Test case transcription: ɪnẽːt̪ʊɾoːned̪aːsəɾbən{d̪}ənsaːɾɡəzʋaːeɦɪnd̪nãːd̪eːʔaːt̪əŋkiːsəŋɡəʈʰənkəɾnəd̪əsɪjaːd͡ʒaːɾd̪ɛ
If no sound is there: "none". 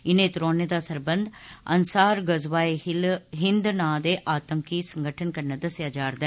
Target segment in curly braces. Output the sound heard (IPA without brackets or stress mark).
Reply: d̪